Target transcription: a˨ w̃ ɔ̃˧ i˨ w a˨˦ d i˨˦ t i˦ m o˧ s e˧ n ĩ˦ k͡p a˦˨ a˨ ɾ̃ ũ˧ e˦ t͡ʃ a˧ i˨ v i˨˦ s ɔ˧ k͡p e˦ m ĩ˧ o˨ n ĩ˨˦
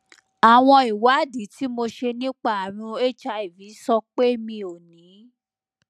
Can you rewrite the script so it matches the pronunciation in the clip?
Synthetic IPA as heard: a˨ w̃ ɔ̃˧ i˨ w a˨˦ d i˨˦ t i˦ m o˧ ʃ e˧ n ĩ˦ k͡p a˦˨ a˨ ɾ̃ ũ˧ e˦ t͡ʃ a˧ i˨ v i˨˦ s ɔ˧ k͡p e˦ m ĩ˧ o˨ n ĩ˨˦

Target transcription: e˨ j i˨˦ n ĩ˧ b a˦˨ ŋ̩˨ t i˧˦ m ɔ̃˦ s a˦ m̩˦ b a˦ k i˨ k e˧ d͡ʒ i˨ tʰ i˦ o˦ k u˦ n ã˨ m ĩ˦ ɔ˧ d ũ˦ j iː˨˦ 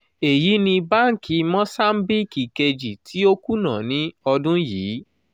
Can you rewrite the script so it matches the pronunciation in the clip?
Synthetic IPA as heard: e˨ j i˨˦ n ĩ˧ b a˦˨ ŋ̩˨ k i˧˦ m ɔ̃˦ s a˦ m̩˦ b i˦ k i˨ k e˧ d͡ʒ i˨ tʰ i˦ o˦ k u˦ n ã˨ n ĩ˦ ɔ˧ d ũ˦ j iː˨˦

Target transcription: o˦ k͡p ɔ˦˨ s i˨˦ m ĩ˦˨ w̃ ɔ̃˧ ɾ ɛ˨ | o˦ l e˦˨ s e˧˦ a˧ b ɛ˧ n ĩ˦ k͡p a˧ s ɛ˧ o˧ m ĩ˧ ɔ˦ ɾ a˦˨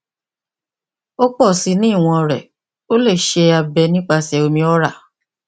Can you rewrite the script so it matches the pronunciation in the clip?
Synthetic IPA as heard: o˦ k͡p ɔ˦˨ s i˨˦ n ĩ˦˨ w̃ ɔ̃˧ ɾ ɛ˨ | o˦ l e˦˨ ʃ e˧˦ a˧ b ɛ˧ n ĩ˦ k͡p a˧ s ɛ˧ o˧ m ĩ˧ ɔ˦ ɾ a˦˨

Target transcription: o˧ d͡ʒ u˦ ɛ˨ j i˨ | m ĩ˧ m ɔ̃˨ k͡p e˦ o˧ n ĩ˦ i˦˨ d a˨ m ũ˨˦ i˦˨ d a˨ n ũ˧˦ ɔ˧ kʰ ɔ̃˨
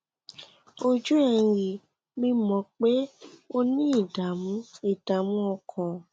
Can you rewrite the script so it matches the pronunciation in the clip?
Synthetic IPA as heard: o˧ d͡ʒ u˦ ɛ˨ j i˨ | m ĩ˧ m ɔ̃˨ k͡p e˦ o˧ n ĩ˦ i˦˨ d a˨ m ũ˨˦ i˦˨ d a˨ m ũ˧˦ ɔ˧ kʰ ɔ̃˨

